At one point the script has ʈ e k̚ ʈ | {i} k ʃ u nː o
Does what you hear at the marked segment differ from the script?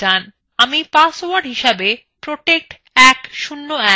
yes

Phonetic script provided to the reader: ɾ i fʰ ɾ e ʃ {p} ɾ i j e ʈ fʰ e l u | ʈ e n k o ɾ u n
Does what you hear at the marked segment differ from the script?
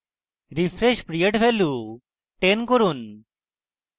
no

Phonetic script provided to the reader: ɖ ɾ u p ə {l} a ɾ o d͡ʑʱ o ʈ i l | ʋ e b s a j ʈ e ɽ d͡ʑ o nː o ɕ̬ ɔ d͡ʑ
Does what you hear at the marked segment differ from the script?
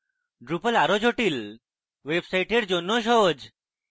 no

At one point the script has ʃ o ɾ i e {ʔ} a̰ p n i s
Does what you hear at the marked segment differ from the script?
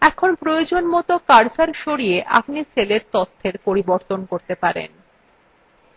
no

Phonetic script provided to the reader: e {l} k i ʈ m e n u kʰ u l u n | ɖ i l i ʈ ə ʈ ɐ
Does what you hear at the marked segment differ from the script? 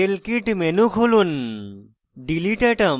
no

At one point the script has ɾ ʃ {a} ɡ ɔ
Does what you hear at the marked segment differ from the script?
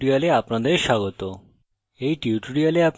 no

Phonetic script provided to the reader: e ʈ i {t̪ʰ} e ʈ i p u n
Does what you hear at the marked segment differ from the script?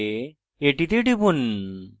yes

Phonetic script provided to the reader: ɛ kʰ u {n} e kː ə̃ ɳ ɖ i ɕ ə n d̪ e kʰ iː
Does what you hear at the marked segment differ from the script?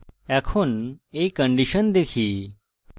no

